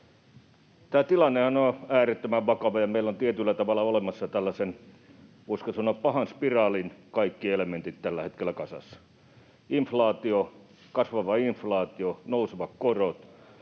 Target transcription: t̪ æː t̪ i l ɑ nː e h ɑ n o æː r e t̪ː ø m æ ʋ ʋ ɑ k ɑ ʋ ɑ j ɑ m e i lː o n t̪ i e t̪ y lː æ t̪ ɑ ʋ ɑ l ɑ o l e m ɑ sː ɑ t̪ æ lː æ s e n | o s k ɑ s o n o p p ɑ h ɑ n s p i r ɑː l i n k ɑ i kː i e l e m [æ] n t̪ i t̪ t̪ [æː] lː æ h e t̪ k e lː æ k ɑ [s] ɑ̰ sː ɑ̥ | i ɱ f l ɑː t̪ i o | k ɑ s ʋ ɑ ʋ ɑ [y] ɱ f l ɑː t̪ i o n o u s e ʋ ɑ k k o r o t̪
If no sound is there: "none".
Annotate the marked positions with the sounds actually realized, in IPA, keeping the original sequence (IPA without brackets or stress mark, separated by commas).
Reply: e, æ, s, i